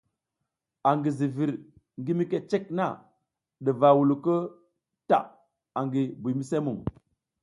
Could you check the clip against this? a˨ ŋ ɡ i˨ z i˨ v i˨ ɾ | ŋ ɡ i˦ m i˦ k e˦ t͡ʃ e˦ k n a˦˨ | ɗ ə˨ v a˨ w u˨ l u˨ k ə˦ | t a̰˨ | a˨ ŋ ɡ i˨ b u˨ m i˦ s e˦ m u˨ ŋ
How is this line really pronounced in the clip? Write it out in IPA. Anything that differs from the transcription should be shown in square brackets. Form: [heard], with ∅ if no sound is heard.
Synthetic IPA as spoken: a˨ ŋ ɡ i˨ z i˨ v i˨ ɾ | ŋ ɡ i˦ m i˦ k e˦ t͡ʃ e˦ k n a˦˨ | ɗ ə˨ v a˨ w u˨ l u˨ k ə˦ | t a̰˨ | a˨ ŋ ɡ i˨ b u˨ m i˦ s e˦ m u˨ ŋ